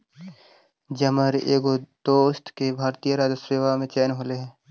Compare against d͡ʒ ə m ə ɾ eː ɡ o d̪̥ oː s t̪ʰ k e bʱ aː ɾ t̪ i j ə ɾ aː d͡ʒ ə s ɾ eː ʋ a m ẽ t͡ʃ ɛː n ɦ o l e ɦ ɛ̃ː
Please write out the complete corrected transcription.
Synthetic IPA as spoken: d͡ʒ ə m ə ɾ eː ɡ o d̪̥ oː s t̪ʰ k e bʱ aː ɾ t̪ i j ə ɾ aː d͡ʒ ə s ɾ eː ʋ a m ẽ t͡ʃ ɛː n ɦ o l e ɦ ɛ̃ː